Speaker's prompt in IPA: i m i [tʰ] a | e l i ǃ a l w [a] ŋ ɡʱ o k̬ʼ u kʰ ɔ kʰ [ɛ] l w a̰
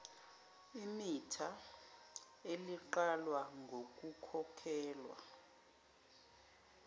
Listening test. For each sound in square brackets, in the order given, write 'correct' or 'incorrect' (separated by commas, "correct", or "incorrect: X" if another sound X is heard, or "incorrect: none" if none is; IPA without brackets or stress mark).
correct, correct, incorrect: ɛː